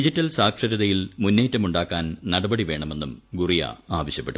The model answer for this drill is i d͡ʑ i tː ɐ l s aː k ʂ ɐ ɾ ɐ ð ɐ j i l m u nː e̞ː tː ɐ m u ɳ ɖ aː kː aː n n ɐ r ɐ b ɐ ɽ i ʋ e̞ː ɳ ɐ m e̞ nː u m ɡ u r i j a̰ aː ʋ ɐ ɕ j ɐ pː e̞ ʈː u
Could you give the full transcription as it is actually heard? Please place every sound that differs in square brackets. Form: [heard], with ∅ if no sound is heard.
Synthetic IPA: i d͡ʑ i tː ɐ l s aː k ʂ ɐ ɾ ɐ ð ɐ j i l m u nː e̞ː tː ɐ m u ɳ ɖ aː kː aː n n ɐ [ɽ] ɐ b ɐ ɽ i ʋ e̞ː ɳ ɐ m e̞ nː u m ɡ u r i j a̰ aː ʋ ɐ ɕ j ɐ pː e̞ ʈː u